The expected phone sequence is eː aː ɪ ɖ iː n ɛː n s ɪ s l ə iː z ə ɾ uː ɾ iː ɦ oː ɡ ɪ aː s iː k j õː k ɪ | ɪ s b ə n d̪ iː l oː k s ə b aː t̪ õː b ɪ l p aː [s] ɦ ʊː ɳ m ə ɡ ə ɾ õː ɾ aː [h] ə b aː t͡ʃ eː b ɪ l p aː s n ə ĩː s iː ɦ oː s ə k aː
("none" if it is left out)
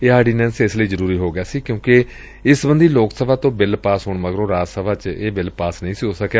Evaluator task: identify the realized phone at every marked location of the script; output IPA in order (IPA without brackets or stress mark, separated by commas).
s, s